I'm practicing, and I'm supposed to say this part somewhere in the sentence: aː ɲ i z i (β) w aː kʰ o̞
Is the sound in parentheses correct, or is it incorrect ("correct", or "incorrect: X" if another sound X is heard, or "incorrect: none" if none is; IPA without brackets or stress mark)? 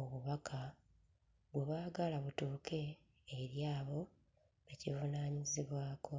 correct